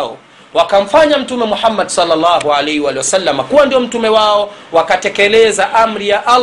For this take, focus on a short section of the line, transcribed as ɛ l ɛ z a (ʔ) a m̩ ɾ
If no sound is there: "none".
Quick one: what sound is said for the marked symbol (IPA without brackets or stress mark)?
ʔ